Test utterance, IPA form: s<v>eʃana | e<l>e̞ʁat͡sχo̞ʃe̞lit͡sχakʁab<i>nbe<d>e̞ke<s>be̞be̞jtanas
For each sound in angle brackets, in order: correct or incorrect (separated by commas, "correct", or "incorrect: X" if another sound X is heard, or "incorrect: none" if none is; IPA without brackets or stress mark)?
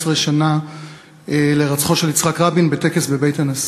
incorrect: ʁ, correct, correct, incorrect: t, correct